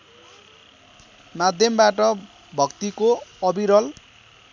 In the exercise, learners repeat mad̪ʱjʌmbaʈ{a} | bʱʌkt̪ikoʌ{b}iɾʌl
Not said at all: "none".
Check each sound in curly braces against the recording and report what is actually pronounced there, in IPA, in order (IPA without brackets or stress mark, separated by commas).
ʌ, b